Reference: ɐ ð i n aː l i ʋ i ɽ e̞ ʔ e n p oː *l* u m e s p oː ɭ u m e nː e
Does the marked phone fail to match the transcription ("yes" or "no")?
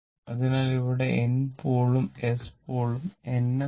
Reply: yes